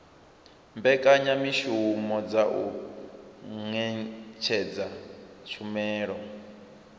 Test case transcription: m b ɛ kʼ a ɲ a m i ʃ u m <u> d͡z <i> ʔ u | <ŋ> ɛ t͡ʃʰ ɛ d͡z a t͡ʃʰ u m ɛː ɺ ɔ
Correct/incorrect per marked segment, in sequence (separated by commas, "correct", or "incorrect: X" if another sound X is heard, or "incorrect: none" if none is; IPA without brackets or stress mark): incorrect: ɔ, incorrect: a, correct